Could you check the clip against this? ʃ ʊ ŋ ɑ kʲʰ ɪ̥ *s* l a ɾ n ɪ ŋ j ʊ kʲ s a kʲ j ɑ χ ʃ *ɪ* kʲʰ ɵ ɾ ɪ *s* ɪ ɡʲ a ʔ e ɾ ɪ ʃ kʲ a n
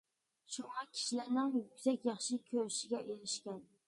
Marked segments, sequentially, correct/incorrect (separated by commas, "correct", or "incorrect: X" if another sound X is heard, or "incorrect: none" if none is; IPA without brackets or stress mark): incorrect: ʃ, correct, incorrect: ʃ